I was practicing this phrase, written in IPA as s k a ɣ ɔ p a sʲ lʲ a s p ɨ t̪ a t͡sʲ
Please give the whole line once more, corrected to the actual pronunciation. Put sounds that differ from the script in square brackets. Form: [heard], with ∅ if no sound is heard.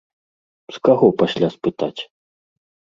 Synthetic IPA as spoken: s k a ɣ ɔ p a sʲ lʲ a s p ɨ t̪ a t͡sʲ